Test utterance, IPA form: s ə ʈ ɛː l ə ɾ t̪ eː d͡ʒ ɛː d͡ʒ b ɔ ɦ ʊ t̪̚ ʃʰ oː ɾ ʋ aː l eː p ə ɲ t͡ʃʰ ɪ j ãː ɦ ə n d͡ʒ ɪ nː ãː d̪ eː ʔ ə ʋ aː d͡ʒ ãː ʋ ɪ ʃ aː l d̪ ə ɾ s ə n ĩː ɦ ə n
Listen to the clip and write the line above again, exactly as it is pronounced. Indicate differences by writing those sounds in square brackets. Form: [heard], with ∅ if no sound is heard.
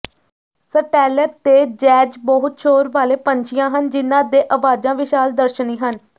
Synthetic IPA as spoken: s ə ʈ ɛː l ə ɾ t̪ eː d͡ʒ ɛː d͡ʒ b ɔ ɦ ʊ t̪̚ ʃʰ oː ɾ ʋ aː l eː p ə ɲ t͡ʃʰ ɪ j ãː ɦ ə n d͡ʒ ɪ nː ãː d̪ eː ʔ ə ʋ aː d͡ʒ ãː ʋ ɪ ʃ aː l d̪ ə ɾ [ʃ] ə n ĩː ɦ ə n